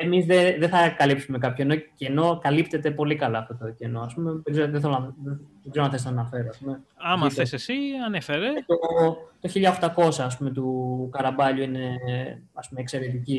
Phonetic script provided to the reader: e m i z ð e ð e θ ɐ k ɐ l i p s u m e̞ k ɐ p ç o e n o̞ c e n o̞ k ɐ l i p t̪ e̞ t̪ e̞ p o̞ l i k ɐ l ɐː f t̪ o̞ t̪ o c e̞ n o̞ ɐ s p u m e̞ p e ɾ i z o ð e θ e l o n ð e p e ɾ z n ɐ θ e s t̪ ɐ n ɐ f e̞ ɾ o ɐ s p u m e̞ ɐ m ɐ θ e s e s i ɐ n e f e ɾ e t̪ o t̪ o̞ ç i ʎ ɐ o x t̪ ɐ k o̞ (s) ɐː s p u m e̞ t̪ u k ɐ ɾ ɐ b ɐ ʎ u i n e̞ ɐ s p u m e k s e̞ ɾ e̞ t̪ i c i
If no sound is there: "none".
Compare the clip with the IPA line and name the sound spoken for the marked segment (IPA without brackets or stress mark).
s